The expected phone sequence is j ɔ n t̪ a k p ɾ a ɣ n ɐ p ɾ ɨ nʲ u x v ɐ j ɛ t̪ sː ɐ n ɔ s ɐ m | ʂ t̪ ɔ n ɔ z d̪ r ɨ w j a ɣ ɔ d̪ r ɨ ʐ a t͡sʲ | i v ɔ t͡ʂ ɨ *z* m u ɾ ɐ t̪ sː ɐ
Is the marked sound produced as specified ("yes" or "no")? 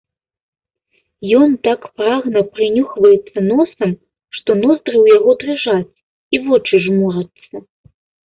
no